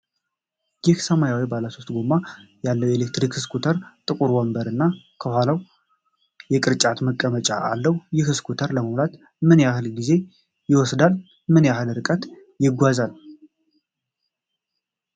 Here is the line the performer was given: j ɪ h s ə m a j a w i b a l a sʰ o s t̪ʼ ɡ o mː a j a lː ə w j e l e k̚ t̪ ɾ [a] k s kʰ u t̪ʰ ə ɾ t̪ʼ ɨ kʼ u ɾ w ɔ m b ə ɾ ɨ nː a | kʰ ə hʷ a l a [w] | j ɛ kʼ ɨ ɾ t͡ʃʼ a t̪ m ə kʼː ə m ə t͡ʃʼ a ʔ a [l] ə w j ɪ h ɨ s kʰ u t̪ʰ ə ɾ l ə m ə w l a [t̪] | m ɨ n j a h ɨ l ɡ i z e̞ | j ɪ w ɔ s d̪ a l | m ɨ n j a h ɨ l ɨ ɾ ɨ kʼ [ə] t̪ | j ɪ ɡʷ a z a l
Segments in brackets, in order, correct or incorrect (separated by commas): incorrect, correct, incorrect, correct, correct